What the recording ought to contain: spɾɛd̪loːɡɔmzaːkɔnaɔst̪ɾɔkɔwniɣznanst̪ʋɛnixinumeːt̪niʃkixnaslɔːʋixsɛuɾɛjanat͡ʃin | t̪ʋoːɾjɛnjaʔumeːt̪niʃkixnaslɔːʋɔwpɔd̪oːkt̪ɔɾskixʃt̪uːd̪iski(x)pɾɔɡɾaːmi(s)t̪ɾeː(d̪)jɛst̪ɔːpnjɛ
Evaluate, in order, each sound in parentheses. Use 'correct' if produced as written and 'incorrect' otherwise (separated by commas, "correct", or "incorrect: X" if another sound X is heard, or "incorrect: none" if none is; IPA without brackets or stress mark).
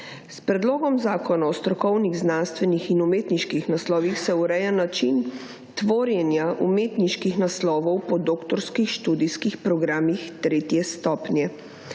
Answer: correct, incorrect: x, incorrect: t̪